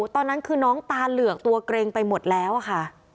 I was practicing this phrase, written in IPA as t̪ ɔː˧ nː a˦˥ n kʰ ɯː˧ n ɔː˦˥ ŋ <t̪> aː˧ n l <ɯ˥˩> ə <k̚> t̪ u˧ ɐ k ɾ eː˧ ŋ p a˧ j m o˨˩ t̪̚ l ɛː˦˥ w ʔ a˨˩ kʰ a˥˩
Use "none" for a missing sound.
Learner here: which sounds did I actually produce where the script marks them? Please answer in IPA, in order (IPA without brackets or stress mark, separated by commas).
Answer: t̪, ɯ˨˩, k̚